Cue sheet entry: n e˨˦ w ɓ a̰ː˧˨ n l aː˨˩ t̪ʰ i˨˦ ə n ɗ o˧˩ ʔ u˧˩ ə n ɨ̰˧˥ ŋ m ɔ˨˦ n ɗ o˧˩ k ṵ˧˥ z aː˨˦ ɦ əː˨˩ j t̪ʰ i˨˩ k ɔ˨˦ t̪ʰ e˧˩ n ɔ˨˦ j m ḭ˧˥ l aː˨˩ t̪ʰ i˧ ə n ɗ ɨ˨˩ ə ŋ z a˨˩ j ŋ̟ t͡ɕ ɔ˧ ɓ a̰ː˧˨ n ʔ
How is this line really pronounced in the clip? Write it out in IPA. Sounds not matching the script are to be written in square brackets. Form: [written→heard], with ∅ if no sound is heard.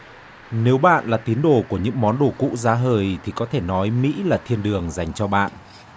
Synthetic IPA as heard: n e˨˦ w ɓ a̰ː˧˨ n l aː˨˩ [t̪ʰ→t̪] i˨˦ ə n ɗ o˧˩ [ʔ→k] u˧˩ ə [n→ɲ] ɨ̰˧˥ ŋ m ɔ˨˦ n ɗ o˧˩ k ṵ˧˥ z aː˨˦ ɦ əː˨˩ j t̪ʰ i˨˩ k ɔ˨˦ t̪ʰ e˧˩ n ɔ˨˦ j m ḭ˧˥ l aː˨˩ t̪ʰ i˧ ə n ɗ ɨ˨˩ ə ŋ z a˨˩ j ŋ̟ t͡ɕ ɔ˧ ɓ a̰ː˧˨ n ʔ